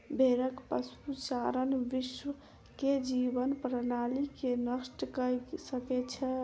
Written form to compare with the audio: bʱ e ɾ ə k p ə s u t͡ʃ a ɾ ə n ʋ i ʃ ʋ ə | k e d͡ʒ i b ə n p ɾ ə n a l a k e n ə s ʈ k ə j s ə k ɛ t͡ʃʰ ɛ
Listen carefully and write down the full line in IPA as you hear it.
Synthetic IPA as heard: bʱ e ɾ ə k p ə s u t͡ʃ a ɾ ə n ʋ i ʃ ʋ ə | k e d͡ʒ i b ə n p ɾ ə n a l i k e n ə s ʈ k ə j s ə k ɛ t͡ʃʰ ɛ